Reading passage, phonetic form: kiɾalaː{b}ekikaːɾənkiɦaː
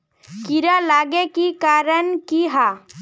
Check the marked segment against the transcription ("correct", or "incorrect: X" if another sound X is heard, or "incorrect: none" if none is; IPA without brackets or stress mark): incorrect: ɡ